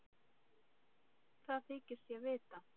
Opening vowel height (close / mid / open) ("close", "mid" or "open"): open